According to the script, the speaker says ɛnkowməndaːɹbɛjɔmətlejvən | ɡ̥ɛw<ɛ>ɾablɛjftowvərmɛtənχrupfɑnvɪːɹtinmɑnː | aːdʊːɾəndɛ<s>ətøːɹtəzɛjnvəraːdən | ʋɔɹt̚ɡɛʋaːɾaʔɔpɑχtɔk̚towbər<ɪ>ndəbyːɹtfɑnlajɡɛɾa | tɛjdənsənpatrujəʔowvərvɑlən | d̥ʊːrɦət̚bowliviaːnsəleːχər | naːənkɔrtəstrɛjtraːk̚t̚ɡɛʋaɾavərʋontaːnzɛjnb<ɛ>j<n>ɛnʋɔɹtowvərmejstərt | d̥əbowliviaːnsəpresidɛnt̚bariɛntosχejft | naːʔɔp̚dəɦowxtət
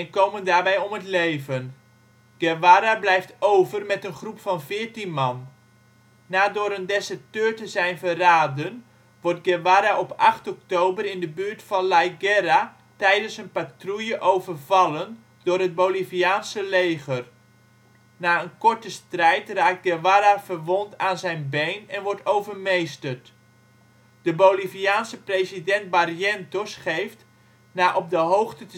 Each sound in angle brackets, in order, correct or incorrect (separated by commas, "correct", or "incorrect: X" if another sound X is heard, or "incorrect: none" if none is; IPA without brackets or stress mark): incorrect: a, correct, correct, incorrect: e, correct